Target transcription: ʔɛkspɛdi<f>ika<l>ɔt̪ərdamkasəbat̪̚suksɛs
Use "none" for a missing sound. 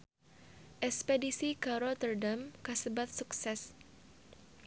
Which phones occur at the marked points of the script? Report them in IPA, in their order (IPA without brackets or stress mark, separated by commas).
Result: s, ɾ